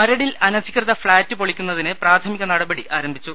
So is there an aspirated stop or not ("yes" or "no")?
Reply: yes